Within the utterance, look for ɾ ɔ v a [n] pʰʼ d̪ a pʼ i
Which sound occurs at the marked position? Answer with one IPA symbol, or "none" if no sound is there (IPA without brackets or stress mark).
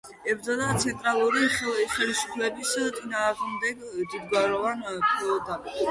n